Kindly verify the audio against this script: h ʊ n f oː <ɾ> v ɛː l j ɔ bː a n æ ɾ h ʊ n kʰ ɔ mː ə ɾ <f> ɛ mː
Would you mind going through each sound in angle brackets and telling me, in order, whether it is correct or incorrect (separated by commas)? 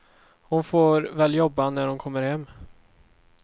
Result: correct, incorrect